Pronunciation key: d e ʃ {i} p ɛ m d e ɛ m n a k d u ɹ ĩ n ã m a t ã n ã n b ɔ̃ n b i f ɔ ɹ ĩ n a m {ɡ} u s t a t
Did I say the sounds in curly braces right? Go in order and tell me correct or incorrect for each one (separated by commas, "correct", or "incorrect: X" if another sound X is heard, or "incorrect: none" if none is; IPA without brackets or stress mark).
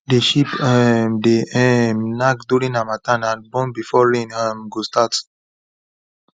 correct, correct